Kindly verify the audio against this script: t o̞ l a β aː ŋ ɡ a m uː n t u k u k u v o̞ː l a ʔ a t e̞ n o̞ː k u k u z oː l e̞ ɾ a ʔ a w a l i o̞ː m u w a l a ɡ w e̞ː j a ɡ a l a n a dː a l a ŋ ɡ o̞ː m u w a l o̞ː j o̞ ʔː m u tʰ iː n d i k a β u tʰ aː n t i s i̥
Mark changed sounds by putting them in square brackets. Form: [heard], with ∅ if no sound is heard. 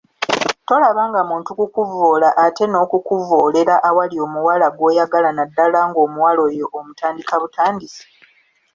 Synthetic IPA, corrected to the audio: t o̞ l a β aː ŋ ɡ a m uː n t u k u k u v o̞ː l a ʔ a t e̞ n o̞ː k u k u [v] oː l e̞ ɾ a ʔ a w a l i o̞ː m u w a l a ɡ w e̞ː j a ɡ a l a n a dː a l a ŋ ɡ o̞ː m u w a l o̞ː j o̞ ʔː m u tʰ [aː] n d i k a β u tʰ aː n [d] i s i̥

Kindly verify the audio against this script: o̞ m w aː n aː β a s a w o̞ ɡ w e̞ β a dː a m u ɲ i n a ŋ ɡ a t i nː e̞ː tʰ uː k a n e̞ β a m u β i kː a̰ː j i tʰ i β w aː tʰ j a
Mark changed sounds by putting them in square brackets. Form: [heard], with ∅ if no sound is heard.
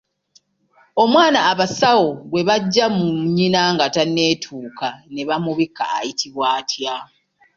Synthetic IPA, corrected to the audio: o̞ m w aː n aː β a s a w o̞ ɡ w e̞ β a [ɟː] a m u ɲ i n a ŋ ɡ a t [a] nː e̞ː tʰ uː k a n e̞ β a m u β i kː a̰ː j i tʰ i β w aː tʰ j a

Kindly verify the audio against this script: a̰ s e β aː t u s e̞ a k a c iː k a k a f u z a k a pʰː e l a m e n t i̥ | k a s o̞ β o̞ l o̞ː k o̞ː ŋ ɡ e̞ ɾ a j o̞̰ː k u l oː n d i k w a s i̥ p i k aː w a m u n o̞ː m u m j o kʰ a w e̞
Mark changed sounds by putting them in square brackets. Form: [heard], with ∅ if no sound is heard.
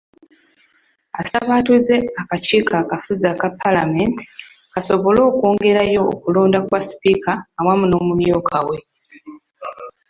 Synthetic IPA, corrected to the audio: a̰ s [a] β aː t u [z] e̞ a k a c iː k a k a f u z a k a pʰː [a] l a m e n t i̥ | k a s o̞ β o̞ l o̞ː k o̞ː ŋ ɡ e̞ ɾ a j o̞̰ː k u l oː n d [a] k w a s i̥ p i k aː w a m u n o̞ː m u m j o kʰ a w e̞

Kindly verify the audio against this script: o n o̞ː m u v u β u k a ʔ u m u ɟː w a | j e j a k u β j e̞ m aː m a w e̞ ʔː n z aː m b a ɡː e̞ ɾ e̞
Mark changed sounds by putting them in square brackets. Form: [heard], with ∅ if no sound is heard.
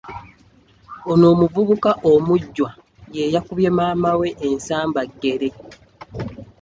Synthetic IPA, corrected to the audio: o n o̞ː m u v u β u k a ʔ [o] m u ɟː w a | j e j a k u β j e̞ m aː m a w e̞ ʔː n [s] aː m b a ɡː e̞ ɾ e̞

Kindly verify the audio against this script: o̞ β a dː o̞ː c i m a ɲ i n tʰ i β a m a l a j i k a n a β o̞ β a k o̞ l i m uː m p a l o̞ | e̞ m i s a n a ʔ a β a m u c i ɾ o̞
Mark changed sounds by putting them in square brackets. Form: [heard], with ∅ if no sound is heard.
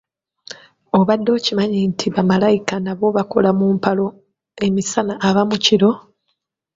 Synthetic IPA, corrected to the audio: o̞ β a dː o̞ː c i m a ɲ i n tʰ i β a m a l a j i k a n a β o̞ β a k o̞ l [a] m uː m p a l o̞ | e̞ m i s a n a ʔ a β a m u c i ɾ o̞

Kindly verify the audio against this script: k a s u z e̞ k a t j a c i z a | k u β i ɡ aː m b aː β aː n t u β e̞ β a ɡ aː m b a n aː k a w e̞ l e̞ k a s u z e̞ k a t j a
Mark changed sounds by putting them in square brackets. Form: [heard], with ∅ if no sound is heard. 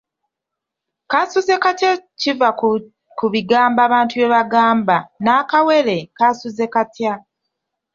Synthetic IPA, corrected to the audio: k a s u z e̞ k a t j a c i [v] a | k u β i ɡ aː m b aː β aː n t u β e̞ β a ɡ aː m b a n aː k a w e̞ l e̞ k a s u z e̞ k a t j a

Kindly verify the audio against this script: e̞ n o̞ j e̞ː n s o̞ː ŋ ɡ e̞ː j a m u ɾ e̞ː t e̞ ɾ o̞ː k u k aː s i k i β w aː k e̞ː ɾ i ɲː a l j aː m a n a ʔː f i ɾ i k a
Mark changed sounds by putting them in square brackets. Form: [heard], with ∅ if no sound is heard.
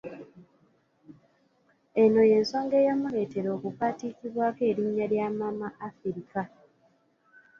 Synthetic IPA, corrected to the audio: e̞ n o̞ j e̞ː n s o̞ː ŋ ɡ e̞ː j a m u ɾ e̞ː t e̞ ɾ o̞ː k u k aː [t] i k i β w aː k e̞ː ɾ i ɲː a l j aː m a [m] a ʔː f i ɾ i k a

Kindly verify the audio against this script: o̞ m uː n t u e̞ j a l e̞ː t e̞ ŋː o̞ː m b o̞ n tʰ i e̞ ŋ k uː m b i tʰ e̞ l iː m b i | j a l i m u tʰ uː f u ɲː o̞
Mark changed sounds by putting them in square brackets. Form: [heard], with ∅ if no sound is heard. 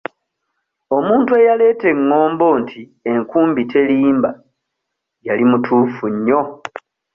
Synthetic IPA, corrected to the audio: o̞ m uː n t u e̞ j a l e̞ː t e̞ ŋː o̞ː m b o̞ n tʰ i e̞ ŋ k uː m b i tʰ e̞ l iː m b [a] | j a l i m u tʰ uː f u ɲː o̞

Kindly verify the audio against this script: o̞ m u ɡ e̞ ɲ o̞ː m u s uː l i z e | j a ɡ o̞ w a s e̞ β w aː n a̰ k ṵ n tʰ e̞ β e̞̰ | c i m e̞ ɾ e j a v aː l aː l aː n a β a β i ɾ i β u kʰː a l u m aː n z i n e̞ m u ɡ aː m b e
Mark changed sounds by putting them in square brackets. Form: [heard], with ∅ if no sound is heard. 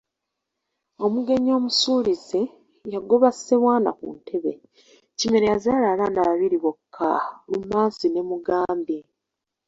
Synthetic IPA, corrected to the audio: o̞ m u ɡ e̞ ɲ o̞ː m u s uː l i z e | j a ɡ o̞ [β] a s e̞ β w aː n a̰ k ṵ n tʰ e̞ β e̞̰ | c i m e̞ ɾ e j a [z] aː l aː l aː n a β a β i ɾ i β [o] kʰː a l u m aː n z i n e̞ m u ɡ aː m b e

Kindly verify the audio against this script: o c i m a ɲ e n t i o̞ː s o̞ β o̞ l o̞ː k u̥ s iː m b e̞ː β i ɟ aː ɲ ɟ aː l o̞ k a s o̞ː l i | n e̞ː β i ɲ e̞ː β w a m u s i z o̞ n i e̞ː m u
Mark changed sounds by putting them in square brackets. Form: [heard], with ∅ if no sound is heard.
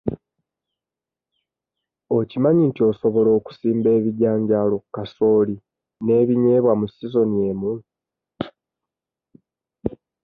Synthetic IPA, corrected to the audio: o c i m a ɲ [i] n t i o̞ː s o̞ β o̞ l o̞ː k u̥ s iː m b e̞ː β i ɟ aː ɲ ɟ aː l o̞ k a s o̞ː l i | n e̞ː β i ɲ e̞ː β w a m u s i z o̞ n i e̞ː m u

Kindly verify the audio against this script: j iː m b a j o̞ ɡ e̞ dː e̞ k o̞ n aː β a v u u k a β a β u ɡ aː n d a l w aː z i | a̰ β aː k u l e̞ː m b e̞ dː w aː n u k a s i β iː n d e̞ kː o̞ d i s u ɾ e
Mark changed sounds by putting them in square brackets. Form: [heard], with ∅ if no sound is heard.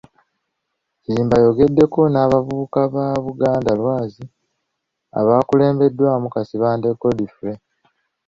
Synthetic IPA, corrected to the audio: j iː m b a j o̞ ɡ e̞ dː e̞ k o̞ n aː β a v u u k a β a β u ɡ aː n d a l w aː z i | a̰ β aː k u l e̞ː m b e̞ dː w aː [m] u k a s i β [aː] n d e̞ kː o̞ d i [f] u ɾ e

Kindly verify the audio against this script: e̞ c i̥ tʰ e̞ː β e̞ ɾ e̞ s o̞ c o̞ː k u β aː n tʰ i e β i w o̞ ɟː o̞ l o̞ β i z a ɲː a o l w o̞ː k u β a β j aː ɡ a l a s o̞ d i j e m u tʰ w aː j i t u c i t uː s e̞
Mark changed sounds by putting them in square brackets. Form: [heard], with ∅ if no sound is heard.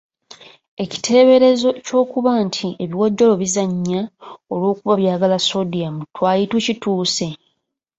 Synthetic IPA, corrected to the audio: e̞ c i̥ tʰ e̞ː β e̞ ɾ e̞ [z] o̞ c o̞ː k u β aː n tʰ i e β i w o̞ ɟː o̞ l o̞ β i z a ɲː a o l w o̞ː k u β a β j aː ɡ a l a s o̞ d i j [a] m u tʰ w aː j i t u c i t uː s e̞

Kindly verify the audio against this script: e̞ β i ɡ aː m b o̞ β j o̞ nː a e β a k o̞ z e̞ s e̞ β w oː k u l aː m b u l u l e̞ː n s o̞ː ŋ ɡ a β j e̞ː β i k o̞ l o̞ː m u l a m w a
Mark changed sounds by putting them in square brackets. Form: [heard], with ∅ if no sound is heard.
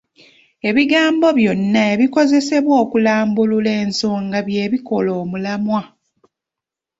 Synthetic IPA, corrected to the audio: e̞ β i ɡ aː m b o̞ β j o̞ nː a e β [i] k o̞ z e̞ s e̞ β w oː k u l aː m b u l u l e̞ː n s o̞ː ŋ ɡ a β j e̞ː β i k o̞ l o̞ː m u l a m w a

